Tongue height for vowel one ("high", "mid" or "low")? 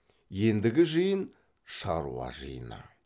mid